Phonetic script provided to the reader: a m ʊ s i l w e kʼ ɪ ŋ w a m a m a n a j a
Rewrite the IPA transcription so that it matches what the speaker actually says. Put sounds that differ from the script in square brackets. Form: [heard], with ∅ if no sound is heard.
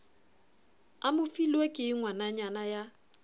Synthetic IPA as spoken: a m ʊ [f] i l w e kʼ ɪ ŋ w a [n] a [ɲ] a n a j a